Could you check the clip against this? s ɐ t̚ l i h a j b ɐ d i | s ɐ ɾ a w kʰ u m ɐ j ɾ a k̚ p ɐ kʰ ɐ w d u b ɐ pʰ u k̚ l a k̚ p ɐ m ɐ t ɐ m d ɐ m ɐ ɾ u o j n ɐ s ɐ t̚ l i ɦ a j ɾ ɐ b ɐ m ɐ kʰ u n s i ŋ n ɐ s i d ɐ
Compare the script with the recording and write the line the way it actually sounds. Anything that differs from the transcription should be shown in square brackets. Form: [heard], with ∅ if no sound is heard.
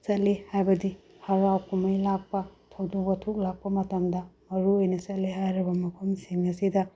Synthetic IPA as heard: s ɐ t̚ l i h a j b ɐ d i | [h] ɐ ɾ a w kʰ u m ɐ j [l] a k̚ p ɐ [tʰ] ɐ w d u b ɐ [tʰ] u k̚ l a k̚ p ɐ m ɐ t ɐ m d ɐ m ɐ ɾ u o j n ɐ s ɐ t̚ l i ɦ a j ɾ ɐ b ɐ m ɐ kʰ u [m] s i ŋ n ɐ s i d ɐ